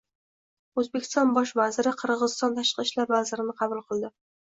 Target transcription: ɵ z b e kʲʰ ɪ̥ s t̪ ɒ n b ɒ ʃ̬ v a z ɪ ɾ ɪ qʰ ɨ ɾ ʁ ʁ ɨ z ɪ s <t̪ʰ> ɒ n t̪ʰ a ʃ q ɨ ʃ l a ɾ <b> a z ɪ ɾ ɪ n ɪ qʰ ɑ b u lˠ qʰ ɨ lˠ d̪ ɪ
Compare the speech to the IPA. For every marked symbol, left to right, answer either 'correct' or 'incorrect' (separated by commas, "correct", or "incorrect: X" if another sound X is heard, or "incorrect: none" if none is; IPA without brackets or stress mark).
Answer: incorrect: t̪, incorrect: v